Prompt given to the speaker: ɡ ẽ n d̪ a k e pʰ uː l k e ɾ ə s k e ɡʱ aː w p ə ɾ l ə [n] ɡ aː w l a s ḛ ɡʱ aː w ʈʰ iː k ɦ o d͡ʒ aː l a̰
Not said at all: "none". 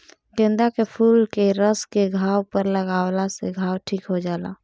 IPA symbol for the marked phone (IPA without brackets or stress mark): none